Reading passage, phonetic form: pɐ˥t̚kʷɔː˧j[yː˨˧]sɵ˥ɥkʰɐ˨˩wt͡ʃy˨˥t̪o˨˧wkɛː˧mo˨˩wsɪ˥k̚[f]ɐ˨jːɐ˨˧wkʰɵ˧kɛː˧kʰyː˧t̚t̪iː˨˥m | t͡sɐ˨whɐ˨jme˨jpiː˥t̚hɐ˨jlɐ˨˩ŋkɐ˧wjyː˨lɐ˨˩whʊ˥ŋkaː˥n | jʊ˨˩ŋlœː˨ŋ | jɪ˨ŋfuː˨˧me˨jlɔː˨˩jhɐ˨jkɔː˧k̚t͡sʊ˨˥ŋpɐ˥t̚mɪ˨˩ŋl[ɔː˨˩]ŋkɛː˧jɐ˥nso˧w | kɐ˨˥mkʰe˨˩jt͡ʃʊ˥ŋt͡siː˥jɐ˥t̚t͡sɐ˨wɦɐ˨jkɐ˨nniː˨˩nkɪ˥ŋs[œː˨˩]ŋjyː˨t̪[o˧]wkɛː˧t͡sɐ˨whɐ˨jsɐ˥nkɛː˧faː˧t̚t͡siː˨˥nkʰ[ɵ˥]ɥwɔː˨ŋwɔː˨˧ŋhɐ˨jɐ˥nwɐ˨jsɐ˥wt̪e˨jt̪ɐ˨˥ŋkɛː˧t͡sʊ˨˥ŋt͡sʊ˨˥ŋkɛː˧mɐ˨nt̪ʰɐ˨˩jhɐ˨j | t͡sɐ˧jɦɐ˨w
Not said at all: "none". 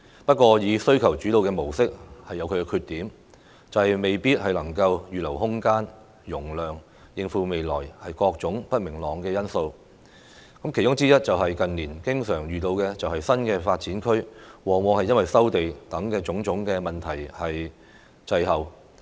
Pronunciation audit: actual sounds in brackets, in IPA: iː˨˧, h, ɔː˨˩, œː˨˩, o˧, ɵ˥

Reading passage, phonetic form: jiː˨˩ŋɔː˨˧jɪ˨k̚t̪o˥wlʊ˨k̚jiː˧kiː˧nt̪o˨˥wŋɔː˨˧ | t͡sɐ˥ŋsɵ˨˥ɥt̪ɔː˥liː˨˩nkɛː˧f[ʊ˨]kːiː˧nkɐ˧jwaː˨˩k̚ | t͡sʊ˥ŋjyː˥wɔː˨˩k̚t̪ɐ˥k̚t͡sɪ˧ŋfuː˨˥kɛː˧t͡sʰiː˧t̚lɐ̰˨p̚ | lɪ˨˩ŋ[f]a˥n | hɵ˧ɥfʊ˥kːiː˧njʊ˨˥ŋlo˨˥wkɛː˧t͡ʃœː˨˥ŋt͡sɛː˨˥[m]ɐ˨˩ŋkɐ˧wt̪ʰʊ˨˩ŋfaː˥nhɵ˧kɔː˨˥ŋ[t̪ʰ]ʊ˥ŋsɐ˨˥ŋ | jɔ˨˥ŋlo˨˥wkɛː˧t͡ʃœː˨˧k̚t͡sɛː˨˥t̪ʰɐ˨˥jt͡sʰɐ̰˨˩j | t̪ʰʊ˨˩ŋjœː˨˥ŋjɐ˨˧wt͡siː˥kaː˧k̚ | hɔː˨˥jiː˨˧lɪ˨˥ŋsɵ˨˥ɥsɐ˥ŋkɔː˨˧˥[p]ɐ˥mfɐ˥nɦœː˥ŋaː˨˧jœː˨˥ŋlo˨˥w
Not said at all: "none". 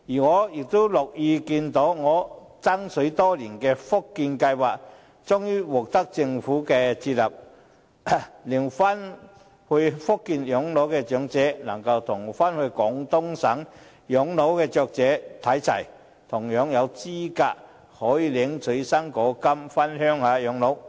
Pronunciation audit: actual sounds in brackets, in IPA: ʊ˥, f, n, t̪, k

